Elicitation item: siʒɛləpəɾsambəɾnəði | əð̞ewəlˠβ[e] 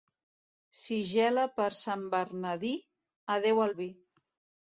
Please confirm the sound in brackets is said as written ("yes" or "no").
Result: no